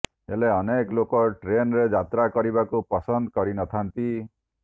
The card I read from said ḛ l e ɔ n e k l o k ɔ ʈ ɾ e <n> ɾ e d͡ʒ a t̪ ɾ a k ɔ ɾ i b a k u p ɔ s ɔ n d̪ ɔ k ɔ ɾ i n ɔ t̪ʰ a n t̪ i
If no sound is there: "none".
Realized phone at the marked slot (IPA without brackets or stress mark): n